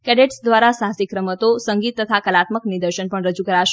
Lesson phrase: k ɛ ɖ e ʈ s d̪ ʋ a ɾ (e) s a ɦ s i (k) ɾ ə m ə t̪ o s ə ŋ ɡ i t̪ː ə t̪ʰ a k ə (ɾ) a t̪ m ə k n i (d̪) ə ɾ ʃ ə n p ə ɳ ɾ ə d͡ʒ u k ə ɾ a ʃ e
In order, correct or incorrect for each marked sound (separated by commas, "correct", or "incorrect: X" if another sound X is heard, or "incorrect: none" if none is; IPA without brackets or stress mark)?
incorrect: a, correct, incorrect: l, correct